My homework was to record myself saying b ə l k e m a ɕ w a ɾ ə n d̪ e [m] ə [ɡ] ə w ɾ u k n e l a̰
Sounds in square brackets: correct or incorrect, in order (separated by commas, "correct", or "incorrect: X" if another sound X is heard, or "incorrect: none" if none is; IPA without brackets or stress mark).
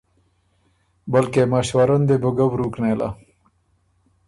incorrect: b, correct